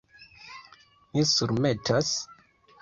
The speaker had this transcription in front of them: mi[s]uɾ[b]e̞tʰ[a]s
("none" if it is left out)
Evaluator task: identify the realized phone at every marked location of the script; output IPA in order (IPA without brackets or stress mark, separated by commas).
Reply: s, m, a